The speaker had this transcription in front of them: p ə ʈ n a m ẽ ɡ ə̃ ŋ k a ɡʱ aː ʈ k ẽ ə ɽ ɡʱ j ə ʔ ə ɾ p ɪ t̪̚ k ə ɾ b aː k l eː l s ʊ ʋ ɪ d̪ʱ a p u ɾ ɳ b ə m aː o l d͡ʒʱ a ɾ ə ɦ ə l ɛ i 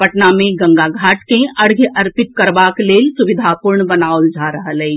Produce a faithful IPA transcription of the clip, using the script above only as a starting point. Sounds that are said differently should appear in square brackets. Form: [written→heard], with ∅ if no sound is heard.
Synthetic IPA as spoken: p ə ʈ n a m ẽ ɡ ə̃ ŋ [k→ɡ] a ɡʱ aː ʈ k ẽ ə ɽ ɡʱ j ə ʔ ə ɾ p ɪ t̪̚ k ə ɾ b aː k l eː l s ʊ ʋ ɪ d̪ʱ a p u ɾ ɳ b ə [m→n] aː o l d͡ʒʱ a ɾ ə ɦ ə l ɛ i